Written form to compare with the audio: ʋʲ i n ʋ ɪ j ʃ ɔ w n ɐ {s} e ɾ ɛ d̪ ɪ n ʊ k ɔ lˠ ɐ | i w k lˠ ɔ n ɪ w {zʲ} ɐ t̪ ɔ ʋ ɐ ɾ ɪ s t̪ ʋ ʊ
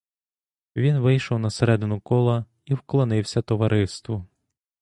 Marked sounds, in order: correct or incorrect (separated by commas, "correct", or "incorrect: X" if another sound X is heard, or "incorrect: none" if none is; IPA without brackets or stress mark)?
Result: correct, incorrect: sʲ